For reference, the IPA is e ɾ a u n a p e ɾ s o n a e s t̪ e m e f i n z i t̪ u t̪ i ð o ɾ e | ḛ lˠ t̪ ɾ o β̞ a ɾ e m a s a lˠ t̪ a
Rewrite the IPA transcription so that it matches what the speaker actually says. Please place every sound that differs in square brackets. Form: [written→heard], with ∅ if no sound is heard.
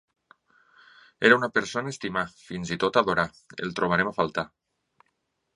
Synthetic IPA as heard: e ɾ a u n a p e ɾ s o n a e s t̪ [e→i] m [e→a] f i n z i t̪ [u→o] t̪ [i→a] ð o ɾ [e→a] | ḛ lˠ t̪ ɾ o β̞ a ɾ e m a [s→f] a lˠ t̪ a